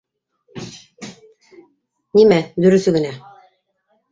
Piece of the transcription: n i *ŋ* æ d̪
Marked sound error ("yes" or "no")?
yes